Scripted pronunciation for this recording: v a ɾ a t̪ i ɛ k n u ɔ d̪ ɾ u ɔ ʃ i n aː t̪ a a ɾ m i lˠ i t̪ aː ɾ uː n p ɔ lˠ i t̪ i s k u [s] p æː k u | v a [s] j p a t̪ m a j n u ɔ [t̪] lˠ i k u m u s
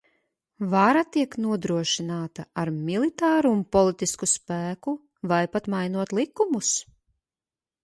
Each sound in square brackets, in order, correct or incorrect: correct, incorrect: none, correct

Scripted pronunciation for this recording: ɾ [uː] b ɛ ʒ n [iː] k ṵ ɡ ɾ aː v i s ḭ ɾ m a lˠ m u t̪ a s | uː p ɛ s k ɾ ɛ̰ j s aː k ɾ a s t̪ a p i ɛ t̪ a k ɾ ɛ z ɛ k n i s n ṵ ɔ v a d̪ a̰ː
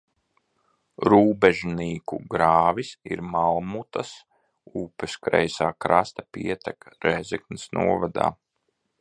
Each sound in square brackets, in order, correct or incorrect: correct, correct

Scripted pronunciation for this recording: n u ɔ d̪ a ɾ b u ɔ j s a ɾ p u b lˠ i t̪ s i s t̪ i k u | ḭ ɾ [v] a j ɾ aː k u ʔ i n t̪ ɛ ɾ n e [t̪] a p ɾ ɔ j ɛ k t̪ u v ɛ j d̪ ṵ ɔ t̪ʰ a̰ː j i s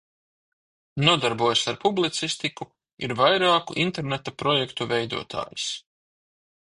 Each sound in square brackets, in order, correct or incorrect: correct, correct

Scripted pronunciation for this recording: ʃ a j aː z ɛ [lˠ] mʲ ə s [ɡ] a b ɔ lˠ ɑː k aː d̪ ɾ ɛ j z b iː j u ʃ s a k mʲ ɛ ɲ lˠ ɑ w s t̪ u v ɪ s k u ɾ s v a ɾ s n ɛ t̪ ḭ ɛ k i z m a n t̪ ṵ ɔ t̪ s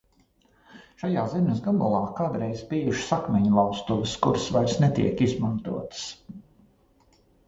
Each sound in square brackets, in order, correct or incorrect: incorrect: none, correct

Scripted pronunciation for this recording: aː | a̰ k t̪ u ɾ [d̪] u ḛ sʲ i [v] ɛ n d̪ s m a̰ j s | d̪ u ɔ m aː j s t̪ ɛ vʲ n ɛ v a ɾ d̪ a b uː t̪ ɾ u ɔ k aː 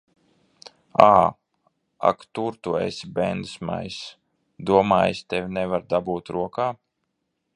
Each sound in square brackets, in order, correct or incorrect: incorrect: t̪, incorrect: b

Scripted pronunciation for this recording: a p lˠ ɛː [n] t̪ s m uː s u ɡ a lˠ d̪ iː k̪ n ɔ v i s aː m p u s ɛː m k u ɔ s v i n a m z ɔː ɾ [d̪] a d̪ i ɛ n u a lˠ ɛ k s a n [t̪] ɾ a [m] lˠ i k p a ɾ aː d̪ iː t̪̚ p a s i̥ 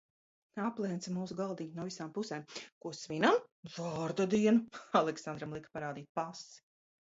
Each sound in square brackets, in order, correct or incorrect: correct, correct, incorrect: d̪, correct

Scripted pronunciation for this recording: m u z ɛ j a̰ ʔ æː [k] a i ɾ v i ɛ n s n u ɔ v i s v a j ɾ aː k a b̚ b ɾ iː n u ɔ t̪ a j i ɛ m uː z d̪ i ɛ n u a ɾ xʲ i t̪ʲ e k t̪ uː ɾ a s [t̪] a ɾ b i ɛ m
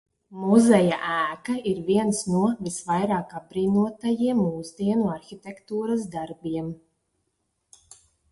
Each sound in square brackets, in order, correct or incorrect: correct, incorrect: d̪

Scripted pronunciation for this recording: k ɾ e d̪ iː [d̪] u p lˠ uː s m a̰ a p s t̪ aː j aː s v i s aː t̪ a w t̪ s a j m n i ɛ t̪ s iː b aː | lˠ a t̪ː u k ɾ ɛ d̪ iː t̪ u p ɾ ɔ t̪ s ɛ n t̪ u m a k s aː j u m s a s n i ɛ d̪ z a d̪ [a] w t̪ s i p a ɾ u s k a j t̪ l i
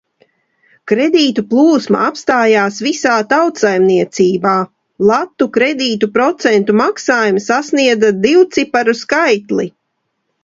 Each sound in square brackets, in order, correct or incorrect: incorrect: t̪, incorrect: i

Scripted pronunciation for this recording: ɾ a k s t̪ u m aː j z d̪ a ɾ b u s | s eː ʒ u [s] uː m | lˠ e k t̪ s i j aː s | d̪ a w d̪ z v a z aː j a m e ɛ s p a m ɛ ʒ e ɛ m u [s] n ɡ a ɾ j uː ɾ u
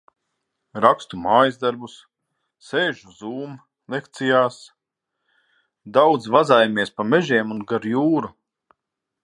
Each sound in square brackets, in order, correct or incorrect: incorrect: z, incorrect: none

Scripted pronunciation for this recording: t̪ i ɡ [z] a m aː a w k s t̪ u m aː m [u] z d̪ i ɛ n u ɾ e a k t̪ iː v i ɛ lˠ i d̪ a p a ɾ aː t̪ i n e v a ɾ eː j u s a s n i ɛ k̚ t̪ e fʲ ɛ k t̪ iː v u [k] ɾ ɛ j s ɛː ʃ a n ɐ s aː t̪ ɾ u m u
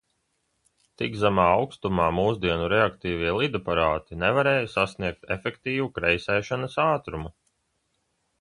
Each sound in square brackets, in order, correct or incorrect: correct, incorrect: uː, correct

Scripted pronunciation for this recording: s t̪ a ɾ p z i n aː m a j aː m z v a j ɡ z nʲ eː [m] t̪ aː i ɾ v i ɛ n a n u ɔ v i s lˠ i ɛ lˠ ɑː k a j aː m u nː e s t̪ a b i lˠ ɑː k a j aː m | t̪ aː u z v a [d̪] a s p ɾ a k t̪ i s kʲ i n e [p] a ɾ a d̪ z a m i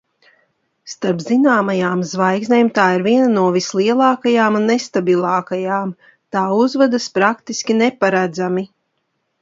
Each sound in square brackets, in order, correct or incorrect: correct, correct, correct

